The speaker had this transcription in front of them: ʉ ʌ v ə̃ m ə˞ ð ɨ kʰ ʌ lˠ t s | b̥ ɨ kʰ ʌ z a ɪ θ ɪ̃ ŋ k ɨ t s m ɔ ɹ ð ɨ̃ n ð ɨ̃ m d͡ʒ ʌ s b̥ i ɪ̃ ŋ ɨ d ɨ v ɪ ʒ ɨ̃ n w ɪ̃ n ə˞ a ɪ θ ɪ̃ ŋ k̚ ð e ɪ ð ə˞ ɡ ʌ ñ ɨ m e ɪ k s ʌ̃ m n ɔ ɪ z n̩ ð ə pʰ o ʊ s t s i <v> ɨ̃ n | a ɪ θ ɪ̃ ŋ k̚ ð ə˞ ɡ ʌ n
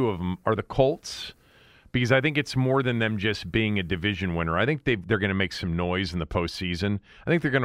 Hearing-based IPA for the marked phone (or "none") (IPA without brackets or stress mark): z